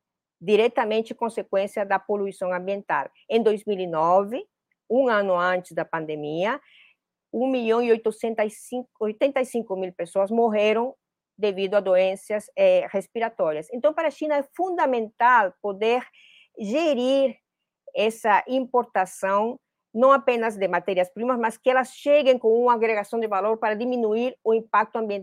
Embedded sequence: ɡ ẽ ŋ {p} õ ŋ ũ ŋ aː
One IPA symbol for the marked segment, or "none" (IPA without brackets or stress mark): k